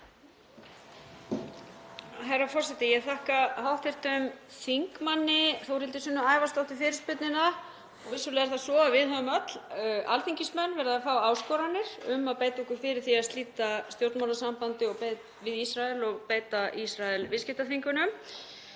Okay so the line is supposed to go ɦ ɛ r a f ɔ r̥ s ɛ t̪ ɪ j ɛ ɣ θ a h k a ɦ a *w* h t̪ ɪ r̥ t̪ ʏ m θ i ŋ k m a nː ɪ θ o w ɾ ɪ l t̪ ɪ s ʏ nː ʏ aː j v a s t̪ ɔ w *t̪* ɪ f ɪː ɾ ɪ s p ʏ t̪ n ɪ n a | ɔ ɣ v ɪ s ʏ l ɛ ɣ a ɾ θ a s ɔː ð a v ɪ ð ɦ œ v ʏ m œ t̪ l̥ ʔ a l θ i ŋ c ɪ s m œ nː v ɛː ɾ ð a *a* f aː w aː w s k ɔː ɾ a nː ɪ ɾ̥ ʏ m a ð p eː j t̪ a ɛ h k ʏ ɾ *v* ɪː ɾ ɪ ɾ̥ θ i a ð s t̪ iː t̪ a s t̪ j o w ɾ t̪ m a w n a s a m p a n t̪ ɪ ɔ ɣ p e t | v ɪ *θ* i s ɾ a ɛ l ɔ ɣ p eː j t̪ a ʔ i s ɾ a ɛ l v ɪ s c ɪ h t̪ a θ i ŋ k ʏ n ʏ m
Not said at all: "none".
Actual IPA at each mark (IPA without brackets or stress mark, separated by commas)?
w, t̪, a, f, ð